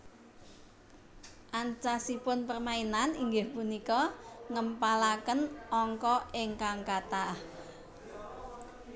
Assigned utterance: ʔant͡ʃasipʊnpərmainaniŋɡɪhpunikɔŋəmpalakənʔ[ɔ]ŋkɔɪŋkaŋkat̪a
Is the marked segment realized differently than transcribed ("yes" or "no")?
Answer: no